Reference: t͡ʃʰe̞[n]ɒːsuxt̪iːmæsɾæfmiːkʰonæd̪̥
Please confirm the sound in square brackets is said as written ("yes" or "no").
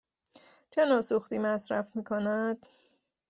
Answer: yes